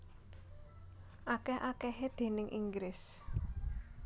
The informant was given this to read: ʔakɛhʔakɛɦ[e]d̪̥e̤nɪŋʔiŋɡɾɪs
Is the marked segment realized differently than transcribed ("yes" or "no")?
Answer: no